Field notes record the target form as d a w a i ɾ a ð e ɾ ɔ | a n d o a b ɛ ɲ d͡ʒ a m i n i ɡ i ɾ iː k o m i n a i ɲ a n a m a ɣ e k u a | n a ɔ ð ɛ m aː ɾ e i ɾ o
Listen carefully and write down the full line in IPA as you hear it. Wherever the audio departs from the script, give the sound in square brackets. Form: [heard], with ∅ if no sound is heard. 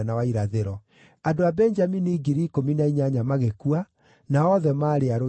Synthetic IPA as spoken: [n] a w a i ɾ a ð e ɾ ɔ | a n d o a b ɛ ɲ d͡ʒ a m i n i ɡ i ɾ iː k o m i n a i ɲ a [ɲ] a m a ɣ e k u a | n a ɔ ð ɛ m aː ɾ e [a] ɾ o